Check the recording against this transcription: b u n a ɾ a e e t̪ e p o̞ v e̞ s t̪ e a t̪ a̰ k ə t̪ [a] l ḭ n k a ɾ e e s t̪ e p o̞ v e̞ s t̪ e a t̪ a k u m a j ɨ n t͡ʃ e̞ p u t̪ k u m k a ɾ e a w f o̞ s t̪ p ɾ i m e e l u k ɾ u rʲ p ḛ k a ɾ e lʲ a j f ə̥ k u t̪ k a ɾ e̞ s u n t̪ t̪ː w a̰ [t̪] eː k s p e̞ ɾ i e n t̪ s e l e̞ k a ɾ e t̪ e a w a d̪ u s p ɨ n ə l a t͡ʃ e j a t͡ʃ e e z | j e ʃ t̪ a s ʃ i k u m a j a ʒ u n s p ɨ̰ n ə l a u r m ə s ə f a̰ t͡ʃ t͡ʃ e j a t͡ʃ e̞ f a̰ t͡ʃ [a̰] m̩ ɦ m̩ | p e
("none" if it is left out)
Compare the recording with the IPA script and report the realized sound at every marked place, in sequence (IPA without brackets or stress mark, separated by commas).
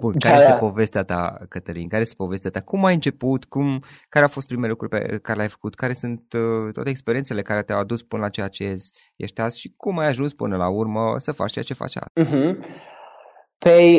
ə, t̪, a̰